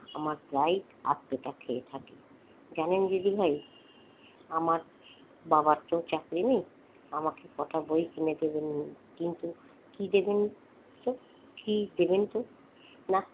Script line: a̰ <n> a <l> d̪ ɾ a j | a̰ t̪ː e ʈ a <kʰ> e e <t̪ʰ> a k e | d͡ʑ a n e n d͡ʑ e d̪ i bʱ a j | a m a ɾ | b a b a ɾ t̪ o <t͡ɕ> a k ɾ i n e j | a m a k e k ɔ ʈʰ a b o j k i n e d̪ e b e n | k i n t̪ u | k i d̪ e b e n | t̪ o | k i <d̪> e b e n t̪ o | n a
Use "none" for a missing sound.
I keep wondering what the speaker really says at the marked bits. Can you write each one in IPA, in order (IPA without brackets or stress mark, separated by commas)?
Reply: m, ɾ, kʰ, t̪ʰ, t͡ɕ, d̪